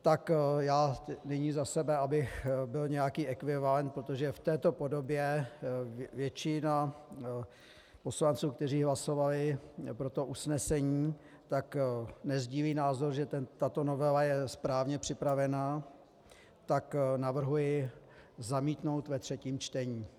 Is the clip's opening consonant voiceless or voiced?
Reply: voiceless